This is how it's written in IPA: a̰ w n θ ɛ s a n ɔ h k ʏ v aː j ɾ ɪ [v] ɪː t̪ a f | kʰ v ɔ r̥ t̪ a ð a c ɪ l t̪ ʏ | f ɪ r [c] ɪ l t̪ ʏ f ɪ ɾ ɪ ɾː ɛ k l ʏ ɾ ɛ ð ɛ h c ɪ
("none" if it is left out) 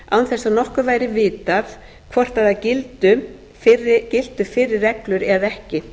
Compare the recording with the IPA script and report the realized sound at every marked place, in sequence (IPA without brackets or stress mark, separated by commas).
v, c